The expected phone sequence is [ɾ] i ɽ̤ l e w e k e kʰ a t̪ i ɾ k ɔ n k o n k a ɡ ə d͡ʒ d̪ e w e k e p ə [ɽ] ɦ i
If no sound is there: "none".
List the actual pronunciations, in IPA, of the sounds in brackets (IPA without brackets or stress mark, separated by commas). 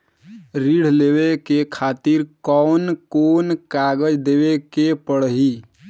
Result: ɾ, ɽ